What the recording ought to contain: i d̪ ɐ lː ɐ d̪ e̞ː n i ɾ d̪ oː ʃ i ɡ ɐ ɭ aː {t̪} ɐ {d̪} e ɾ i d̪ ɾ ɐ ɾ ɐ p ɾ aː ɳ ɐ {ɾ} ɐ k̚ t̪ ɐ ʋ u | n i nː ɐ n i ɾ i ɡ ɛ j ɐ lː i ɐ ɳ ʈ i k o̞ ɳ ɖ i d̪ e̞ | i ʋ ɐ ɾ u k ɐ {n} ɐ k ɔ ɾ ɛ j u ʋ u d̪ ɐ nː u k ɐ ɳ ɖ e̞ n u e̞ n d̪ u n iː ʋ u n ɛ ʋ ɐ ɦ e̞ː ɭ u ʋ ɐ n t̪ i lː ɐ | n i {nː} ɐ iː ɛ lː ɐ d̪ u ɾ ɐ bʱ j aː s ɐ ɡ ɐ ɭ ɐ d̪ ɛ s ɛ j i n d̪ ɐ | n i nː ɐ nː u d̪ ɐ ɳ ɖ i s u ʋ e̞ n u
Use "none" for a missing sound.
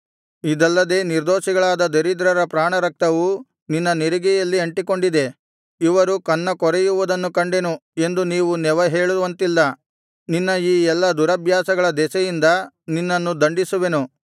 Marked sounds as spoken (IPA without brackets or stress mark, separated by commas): d̪, d̪, ɾ, nː, nː